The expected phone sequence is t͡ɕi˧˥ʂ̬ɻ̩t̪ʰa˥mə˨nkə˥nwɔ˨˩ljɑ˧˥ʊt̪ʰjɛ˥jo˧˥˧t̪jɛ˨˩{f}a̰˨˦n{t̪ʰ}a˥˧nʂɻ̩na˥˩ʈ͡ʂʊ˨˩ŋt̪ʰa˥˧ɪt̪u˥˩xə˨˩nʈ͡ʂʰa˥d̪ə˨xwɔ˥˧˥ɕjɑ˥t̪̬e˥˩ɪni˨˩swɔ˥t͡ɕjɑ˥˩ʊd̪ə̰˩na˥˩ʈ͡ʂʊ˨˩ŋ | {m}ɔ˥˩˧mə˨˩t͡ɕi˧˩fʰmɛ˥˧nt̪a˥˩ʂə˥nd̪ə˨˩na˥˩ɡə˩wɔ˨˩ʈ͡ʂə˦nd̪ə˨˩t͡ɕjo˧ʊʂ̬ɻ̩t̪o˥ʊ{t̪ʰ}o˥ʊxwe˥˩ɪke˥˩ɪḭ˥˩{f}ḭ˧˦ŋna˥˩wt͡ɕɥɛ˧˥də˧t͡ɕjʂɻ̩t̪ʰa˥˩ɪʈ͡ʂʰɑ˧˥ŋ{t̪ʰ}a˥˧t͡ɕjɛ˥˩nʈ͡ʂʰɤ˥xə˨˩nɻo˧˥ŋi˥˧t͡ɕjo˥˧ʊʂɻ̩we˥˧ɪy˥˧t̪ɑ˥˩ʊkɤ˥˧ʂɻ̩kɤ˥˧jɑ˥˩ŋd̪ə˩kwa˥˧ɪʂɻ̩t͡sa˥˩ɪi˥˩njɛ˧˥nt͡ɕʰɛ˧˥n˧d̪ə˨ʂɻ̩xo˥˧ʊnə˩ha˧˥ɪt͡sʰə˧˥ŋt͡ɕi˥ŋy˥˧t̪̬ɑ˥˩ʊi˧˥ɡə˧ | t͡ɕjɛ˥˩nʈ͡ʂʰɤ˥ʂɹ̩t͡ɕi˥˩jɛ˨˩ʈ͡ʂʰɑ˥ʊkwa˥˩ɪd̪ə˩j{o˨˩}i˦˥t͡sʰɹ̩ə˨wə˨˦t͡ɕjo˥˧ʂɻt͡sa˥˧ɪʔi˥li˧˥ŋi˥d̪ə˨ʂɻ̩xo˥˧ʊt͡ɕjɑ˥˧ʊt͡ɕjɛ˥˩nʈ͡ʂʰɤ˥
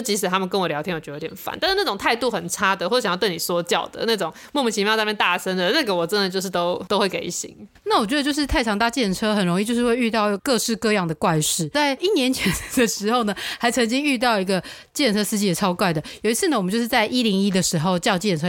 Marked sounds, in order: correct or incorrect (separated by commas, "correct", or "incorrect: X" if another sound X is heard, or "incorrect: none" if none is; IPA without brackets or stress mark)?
correct, incorrect: t̪, correct, incorrect: t̪, incorrect: ɕ, incorrect: t̪, correct